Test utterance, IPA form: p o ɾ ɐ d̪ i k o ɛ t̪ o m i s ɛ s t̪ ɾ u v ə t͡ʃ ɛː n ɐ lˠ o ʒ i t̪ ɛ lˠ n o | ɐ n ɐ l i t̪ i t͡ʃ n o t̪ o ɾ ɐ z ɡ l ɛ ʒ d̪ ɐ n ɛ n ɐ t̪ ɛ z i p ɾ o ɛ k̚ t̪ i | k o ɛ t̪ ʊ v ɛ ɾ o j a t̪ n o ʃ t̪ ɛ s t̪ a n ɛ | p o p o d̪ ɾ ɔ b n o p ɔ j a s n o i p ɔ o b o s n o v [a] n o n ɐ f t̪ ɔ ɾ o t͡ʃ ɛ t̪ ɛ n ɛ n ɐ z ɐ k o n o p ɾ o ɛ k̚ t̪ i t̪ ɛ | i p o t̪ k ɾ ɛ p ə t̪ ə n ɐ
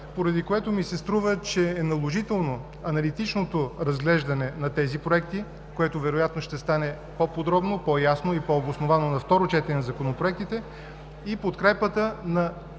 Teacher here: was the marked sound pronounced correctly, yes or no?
yes